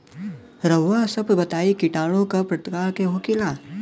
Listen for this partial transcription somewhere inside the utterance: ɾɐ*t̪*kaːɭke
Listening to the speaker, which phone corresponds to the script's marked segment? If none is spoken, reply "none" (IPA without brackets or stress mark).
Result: t̪